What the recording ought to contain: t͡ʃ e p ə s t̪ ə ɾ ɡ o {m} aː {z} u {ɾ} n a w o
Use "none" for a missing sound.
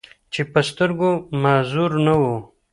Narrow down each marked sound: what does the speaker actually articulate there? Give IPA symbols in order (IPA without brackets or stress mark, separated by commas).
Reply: m, z, ɾ